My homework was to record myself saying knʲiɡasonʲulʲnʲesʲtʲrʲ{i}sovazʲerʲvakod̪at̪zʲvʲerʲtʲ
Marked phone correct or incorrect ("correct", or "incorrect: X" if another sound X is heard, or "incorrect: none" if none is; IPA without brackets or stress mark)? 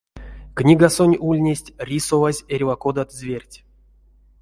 correct